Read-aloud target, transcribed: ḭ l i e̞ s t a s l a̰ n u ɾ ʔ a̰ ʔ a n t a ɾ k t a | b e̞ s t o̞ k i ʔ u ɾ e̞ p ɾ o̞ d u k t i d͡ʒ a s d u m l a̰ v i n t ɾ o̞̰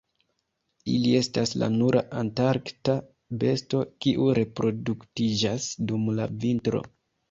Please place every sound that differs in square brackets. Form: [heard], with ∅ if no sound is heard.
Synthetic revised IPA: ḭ l i e̞ s t a s l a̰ n u ɾ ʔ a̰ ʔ a n t a ɾ k t a | b e̞ s t o̞ k i ʔ u ɾ e̞ p ɾ o̞ d u k t i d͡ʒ a s d u m l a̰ v i n t ɾ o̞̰